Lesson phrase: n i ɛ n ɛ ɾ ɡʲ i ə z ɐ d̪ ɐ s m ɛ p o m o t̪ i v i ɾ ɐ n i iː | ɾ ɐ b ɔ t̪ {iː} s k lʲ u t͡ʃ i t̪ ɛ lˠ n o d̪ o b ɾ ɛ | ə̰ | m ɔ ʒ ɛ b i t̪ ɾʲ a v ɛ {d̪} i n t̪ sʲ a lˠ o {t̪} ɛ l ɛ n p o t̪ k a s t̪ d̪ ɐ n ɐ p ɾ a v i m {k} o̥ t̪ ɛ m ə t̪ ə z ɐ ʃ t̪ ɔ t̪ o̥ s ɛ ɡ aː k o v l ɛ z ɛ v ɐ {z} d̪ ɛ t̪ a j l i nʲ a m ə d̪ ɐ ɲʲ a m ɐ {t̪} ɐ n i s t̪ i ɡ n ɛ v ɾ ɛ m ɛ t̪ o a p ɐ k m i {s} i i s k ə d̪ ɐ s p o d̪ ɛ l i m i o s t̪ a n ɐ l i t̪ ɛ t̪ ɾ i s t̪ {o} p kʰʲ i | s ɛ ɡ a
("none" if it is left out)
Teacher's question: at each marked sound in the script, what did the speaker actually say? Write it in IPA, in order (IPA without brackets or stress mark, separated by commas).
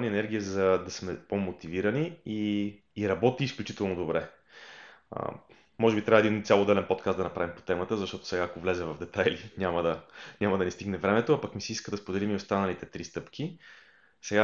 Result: iː, d̪, d̪, p, v, d̪, s, ɤ